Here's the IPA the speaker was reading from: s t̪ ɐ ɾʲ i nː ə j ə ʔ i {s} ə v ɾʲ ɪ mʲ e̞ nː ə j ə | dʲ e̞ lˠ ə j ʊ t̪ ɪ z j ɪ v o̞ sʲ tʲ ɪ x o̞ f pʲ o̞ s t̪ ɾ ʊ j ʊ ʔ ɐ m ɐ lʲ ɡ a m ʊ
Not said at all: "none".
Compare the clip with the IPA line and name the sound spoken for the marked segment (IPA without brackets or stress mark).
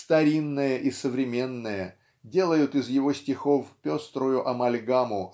s